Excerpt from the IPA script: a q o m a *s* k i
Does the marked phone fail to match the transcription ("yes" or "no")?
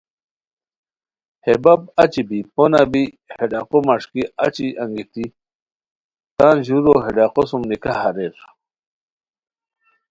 yes